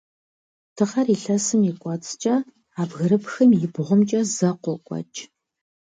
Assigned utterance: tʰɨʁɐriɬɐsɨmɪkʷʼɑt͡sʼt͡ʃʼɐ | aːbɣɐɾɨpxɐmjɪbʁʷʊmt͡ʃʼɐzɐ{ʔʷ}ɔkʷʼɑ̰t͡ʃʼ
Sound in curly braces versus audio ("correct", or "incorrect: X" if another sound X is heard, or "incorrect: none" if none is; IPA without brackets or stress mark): incorrect: qʷ